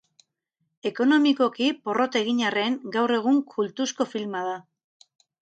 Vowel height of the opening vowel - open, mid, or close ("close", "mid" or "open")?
mid